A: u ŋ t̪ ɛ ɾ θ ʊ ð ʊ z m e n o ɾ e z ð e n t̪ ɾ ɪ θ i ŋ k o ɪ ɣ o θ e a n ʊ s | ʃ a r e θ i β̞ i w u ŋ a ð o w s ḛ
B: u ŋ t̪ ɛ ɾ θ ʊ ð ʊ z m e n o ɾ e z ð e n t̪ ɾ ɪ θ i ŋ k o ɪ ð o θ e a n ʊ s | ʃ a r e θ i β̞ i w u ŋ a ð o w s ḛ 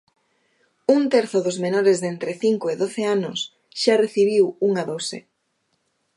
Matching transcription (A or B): B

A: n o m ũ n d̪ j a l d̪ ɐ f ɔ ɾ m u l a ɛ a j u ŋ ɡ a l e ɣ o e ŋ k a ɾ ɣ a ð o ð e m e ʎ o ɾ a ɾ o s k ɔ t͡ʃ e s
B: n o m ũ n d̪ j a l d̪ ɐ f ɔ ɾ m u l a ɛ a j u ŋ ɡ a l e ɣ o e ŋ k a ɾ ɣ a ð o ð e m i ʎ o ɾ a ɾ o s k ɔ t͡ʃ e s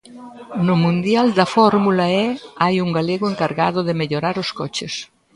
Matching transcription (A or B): A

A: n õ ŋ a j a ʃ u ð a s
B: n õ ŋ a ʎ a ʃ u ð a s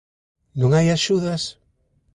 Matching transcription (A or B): A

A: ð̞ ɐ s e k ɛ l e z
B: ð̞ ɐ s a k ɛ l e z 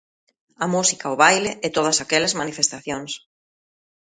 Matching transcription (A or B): B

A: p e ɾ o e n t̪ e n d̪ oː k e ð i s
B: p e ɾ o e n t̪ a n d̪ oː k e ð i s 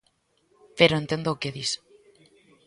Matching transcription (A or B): A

